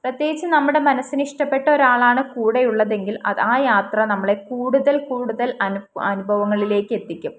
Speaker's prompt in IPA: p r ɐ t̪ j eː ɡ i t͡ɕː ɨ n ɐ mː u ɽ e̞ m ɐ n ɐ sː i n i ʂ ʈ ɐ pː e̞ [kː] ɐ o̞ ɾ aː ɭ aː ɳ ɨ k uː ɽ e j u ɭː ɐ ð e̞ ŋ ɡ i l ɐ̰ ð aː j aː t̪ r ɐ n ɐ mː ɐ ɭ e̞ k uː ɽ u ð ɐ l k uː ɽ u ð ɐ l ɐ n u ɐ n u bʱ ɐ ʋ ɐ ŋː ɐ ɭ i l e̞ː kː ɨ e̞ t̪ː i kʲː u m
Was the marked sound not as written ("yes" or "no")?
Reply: yes